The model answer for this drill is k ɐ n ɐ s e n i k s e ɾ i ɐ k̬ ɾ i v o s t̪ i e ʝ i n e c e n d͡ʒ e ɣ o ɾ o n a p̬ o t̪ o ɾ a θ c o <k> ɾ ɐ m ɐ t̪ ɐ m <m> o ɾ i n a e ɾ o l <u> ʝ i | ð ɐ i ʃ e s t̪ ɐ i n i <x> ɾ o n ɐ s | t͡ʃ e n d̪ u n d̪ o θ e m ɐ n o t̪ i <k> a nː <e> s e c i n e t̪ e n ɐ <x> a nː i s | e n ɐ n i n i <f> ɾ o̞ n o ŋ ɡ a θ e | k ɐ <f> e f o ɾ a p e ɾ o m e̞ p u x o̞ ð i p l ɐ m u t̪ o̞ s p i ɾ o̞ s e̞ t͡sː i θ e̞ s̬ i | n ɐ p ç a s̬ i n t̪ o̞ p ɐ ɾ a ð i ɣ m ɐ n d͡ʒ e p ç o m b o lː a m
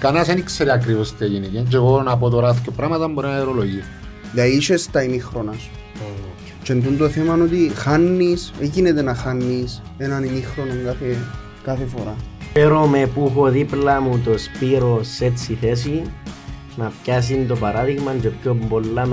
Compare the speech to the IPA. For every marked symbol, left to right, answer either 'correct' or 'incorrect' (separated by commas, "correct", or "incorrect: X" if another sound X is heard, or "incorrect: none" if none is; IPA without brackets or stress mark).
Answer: incorrect: p, incorrect: b, incorrect: o, correct, incorrect: x, incorrect: i, correct, incorrect: x, incorrect: θ